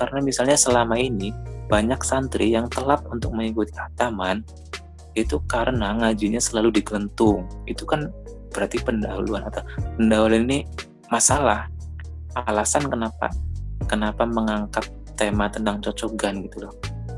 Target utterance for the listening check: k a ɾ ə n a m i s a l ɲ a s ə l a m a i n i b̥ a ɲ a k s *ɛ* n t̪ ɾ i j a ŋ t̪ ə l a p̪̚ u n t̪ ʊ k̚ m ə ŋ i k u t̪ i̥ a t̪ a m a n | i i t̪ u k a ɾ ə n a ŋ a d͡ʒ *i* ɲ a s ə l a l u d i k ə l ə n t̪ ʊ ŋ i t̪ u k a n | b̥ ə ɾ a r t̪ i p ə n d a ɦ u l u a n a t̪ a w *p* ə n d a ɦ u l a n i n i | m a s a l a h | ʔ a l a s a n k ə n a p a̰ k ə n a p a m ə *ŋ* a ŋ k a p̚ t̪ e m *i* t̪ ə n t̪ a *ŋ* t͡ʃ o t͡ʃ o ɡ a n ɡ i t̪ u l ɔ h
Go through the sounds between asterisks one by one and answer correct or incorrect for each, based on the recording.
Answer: incorrect: a, correct, correct, correct, incorrect: a, correct

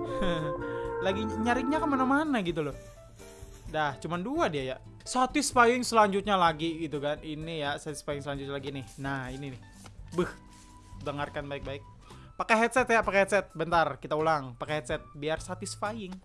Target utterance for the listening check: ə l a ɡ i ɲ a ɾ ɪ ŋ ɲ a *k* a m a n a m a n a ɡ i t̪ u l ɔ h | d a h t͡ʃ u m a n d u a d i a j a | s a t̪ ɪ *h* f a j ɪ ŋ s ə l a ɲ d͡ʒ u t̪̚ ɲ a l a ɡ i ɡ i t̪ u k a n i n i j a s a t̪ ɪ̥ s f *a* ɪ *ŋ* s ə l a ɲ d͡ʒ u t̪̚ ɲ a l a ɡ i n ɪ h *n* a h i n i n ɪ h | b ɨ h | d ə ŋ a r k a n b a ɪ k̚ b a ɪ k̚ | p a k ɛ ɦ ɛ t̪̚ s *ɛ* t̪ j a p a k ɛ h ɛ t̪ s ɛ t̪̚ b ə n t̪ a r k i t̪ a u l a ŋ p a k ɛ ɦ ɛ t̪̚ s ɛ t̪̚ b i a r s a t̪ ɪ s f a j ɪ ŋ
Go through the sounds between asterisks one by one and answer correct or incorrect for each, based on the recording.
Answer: correct, incorrect: s, correct, correct, correct, correct

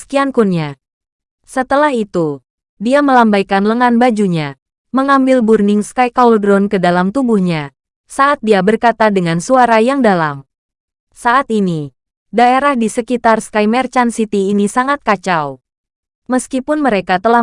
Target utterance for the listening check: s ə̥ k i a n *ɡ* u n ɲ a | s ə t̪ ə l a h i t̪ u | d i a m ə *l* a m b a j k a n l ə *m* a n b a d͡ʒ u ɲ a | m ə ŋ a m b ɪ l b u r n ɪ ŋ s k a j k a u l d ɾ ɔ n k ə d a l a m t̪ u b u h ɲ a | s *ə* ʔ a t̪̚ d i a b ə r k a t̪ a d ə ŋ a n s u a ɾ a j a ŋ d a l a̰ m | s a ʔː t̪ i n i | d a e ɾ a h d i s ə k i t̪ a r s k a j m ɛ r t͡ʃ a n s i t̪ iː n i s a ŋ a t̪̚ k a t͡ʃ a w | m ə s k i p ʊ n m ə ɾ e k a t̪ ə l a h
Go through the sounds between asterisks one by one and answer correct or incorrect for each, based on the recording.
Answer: incorrect: k, correct, incorrect: ŋ, incorrect: a

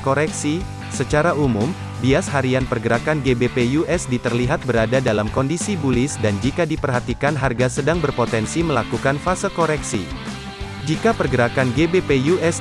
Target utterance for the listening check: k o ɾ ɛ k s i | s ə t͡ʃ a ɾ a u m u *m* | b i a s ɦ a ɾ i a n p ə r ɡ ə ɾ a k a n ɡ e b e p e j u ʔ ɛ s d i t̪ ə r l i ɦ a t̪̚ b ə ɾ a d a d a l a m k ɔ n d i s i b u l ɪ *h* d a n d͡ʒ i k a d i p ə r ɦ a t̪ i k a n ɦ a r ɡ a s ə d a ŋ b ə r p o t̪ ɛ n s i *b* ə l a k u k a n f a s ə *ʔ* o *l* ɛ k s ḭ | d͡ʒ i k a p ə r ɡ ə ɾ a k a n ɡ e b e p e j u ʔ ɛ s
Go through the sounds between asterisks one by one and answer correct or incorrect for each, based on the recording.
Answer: correct, incorrect: s, incorrect: m, incorrect: k, incorrect: ɾ

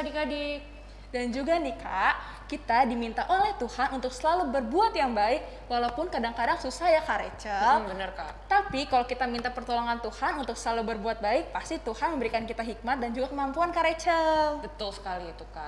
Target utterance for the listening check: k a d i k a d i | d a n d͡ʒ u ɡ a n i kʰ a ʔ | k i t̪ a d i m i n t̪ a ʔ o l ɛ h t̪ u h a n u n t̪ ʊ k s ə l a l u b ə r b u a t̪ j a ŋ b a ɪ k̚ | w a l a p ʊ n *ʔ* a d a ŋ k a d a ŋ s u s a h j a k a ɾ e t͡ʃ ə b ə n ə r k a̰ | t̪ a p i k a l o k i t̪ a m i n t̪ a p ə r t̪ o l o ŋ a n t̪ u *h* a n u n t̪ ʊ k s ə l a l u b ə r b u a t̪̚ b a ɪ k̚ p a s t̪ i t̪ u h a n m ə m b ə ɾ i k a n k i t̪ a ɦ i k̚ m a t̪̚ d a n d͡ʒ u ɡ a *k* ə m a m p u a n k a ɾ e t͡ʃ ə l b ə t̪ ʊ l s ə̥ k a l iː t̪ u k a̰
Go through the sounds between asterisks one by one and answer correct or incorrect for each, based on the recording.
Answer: incorrect: k, correct, correct

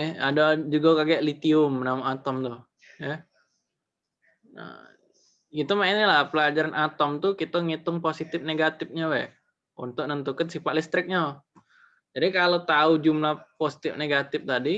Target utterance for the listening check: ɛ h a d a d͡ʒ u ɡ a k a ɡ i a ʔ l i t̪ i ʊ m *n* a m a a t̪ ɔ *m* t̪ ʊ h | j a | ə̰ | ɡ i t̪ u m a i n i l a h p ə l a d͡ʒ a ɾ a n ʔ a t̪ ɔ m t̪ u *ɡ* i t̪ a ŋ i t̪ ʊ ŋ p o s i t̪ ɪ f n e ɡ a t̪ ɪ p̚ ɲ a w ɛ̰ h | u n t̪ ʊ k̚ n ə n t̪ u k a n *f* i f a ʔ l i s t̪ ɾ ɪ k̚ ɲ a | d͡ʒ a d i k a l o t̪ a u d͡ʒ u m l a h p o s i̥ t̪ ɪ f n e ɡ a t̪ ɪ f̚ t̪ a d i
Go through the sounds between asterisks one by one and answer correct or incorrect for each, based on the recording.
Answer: correct, correct, incorrect: k, incorrect: s

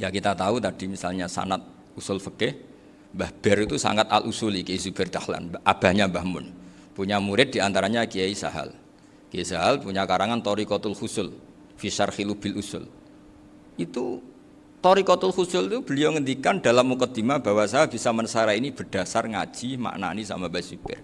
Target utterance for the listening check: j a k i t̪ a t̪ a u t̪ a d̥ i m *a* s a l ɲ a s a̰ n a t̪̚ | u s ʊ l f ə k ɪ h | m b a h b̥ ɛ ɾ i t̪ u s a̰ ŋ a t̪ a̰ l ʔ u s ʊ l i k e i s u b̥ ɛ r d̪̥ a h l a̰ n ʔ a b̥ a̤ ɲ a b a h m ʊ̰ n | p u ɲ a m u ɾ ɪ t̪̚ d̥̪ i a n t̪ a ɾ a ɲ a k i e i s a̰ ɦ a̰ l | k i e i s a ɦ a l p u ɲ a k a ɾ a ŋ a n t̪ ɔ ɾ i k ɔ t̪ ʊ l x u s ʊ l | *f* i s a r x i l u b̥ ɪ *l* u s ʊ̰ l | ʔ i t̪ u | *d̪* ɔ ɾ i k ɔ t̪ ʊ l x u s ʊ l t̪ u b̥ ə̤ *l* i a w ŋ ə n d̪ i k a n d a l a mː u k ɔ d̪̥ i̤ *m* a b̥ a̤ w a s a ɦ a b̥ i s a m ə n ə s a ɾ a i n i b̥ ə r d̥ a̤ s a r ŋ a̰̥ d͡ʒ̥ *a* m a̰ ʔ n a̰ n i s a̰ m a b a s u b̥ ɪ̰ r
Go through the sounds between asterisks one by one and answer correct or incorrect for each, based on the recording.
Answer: incorrect: i, correct, correct, incorrect: t̪, correct, correct, incorrect: i

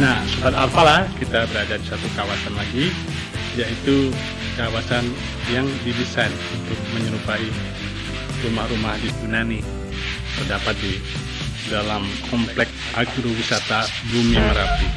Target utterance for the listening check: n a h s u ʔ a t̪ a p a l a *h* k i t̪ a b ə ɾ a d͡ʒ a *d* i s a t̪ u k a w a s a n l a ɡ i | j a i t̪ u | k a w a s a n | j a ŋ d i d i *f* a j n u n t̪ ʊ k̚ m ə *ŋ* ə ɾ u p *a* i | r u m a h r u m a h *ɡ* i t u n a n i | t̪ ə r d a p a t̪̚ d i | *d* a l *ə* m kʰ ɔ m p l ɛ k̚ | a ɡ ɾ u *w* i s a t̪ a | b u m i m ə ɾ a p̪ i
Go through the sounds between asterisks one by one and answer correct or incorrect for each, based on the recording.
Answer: correct, correct, incorrect: s, incorrect: ɲ, correct, incorrect: d, correct, incorrect: a, correct

